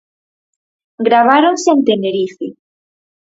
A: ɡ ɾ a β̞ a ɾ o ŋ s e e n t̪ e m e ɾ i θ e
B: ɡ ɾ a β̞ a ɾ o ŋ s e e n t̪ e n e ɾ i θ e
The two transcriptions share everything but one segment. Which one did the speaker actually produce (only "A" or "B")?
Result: B